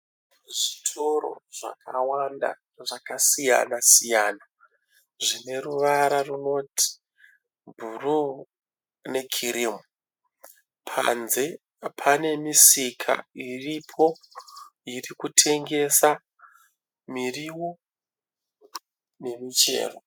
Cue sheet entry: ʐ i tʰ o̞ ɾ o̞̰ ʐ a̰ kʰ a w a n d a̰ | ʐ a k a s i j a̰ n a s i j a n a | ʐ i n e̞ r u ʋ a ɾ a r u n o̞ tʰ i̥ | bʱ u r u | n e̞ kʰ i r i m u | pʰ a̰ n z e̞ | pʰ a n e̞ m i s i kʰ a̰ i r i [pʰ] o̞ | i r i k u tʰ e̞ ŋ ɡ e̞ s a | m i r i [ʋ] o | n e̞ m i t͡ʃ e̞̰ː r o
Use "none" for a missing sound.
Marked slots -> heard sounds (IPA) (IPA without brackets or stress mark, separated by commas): pʰ, w